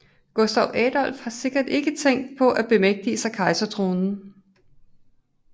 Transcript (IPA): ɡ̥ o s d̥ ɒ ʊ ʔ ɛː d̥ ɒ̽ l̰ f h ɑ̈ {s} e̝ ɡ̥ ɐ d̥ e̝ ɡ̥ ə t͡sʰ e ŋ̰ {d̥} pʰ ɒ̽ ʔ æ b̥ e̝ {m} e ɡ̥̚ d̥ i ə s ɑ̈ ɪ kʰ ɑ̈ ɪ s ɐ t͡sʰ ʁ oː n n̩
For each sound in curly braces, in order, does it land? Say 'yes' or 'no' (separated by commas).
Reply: yes, yes, yes